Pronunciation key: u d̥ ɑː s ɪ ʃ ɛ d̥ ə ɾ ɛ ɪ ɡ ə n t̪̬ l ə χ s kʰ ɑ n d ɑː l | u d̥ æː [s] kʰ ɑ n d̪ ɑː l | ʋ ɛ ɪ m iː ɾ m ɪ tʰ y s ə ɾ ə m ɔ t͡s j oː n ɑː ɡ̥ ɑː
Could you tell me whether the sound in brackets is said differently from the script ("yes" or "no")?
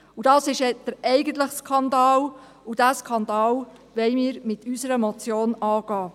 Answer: no